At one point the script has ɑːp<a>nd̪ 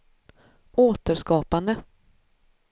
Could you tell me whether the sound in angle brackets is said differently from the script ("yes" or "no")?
no